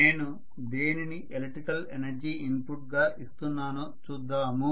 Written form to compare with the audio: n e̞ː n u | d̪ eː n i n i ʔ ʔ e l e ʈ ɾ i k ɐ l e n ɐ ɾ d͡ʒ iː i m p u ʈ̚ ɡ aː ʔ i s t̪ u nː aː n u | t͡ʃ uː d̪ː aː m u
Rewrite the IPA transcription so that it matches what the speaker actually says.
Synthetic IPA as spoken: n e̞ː n u | d̪ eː n i n i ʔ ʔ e l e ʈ ɾ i k ɐ l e n ɐ ɾ d͡ʒ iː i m p u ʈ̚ ɡ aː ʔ i s t̪ u nː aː n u | t͡ʃ uː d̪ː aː m u